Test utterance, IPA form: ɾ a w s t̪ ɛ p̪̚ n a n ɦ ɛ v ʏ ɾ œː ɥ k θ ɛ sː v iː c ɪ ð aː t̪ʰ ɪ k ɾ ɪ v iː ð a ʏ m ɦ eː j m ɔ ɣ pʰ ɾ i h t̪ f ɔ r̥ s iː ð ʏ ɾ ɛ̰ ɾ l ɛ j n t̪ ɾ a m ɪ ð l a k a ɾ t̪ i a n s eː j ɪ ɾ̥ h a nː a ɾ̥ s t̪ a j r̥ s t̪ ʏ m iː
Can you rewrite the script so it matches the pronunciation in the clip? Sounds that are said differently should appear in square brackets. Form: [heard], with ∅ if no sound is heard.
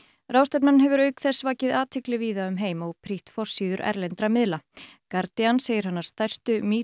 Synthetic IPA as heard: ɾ a w s t̪ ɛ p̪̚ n a n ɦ ɛ v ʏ ɾ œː ɥ k θ ɛ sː v [aː] c ɪ ð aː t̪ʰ ɪ k [l] ɪ v iː ð a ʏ m ɦ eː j m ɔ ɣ pʰ ɾ i h t̪ f ɔ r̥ s iː ð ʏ ɾ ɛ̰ ɾ l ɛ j n t̪ ɾ a m ɪ ð l a k a ɾ t̪ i a n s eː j ɪ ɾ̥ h a nː a ɾ̥ s t̪ a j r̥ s t̪ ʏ m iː